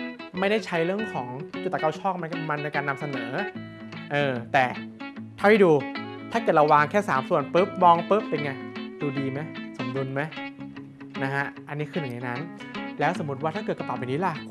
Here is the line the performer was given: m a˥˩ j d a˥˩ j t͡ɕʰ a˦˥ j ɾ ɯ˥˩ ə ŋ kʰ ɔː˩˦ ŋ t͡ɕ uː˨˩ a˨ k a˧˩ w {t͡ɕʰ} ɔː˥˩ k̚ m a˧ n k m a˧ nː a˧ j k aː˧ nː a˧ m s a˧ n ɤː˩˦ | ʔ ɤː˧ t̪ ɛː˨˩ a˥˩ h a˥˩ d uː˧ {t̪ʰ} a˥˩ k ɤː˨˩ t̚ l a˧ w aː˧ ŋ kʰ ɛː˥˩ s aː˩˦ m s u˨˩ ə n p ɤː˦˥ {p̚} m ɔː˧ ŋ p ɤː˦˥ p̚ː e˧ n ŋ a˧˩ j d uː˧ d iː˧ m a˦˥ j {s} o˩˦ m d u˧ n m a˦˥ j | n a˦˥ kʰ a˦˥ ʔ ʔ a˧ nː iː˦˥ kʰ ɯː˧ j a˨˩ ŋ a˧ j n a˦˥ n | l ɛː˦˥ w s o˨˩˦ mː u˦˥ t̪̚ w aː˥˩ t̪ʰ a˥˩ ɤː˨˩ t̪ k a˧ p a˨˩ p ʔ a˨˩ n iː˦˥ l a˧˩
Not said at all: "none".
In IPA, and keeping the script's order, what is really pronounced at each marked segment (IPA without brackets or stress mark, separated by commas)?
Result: t͡ɕʰ, t̪ʰ, p̚, s